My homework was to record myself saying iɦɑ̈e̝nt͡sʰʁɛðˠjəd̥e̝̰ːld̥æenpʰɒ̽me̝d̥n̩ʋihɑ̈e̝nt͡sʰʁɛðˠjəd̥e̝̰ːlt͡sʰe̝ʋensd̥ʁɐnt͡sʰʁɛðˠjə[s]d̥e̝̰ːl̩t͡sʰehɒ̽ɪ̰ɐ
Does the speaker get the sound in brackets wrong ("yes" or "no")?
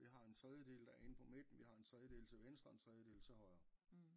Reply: yes